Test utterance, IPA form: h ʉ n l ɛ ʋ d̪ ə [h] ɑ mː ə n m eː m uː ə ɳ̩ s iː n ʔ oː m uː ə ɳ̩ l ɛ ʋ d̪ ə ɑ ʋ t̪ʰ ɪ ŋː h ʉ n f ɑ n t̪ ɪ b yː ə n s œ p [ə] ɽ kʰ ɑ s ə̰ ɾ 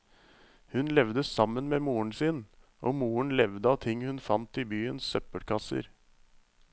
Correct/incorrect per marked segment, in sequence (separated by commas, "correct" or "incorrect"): incorrect, correct